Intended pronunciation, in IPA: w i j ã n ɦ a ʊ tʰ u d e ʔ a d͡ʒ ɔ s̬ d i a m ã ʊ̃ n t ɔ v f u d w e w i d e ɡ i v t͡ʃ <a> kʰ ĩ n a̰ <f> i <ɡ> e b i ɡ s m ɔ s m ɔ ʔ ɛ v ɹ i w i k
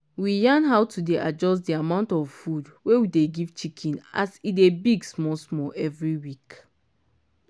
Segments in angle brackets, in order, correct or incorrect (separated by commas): incorrect, incorrect, incorrect